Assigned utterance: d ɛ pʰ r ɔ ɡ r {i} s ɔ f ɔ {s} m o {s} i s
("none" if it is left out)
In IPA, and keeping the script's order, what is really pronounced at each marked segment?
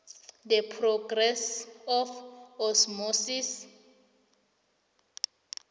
ɛ, s, s

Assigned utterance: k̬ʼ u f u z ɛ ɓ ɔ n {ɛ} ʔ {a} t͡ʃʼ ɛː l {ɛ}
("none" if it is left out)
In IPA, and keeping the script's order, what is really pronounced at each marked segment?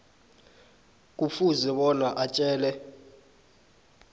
a, a, ɛ

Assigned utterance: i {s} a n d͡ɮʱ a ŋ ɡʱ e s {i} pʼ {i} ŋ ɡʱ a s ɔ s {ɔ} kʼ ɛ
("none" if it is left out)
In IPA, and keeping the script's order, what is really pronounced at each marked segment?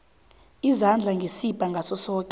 z, i, a, ɔː

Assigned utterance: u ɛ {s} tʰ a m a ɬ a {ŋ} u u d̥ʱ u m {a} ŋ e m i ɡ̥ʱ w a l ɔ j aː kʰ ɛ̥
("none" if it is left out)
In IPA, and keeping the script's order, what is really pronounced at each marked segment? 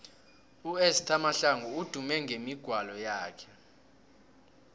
s, ŋ, ɛ

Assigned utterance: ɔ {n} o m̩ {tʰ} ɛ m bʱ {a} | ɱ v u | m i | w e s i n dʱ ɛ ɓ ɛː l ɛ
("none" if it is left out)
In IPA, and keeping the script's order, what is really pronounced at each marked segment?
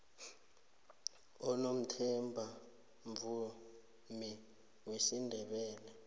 n, tʰ, a

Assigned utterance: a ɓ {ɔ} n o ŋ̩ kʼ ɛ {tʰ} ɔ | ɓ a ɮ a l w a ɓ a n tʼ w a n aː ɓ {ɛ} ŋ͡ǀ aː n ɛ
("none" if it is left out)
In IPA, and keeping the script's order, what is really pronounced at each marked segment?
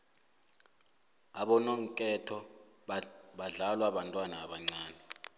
ɔ, tʰ, a

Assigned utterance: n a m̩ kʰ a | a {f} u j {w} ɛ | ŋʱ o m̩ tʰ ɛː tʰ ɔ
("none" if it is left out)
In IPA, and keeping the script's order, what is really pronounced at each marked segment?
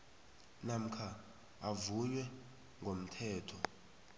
v, w

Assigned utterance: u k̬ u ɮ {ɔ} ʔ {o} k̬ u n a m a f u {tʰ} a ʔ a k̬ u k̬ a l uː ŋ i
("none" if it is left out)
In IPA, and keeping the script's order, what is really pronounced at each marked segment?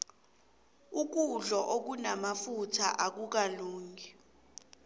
ɔ, o, tʰ

